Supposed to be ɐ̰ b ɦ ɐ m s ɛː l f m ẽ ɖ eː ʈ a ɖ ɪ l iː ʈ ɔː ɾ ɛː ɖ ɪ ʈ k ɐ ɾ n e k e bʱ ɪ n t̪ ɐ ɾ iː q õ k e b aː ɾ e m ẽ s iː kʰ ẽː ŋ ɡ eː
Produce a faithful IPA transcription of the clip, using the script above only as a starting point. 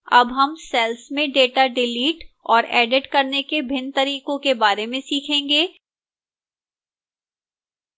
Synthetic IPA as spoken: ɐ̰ b ɦ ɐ m s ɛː l s m ẽ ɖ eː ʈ a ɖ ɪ l iː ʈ ɔː ɾ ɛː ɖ ɪ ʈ k ɐ ɾ n e k e bʱ ɪ n t̪ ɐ ɾ iː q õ k e b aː ɾ e m ẽ s iː kʰ ẽː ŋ ɡ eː

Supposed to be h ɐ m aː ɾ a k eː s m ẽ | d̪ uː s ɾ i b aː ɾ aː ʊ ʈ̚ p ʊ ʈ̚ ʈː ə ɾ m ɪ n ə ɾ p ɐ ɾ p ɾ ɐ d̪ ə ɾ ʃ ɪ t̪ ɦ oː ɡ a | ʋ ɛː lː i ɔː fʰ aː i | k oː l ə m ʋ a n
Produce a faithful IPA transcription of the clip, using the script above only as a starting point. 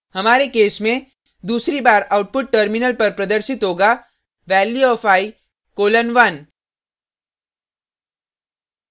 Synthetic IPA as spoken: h ɐ m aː ɾ e k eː s m ẽ | d̪ uː s ɾ i b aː ɾ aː ʊ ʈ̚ p ʊ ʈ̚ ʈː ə ɾ m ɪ n ə l p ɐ ɾ p ɾ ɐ d̪ ə ɾ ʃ ɪ t̪ ɦ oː ɡ a | ʋ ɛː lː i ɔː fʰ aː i | k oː l ə n ʋ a n

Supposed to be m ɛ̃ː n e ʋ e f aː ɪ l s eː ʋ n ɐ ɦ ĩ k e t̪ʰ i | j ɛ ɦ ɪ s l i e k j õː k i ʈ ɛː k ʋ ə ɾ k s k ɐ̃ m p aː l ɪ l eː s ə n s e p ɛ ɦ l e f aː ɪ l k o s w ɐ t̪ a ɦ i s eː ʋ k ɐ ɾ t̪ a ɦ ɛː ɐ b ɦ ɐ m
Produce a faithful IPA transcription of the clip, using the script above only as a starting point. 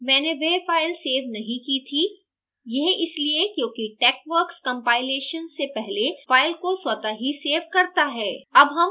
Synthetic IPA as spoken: m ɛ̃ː n e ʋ e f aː ɪ l s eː ʋ n ɐ ɦ ĩ k i t̪ʰ i | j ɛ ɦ ɪ s l i e k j õː k i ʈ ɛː k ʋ ə ɾ k s k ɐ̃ m p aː ɪ l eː ʃ ə n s e p ɛ ɦ l e f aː ɪ l k o s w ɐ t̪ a ɦ i s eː ʋ k ɐ ɾ t̪ a ɦ ɛː ɐ b ɦ ɐ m

